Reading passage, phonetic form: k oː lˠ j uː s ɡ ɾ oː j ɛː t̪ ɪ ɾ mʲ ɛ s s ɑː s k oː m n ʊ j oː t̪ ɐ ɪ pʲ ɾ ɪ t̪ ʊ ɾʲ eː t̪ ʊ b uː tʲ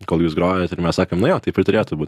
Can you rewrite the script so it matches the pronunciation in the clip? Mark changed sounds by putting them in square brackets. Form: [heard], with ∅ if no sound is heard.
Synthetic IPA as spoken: k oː lˠ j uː s ɡ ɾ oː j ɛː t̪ ɪ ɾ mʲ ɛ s s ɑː [∅] k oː m n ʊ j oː t̪ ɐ ɪ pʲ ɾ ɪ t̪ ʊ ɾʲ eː t̪ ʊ b uː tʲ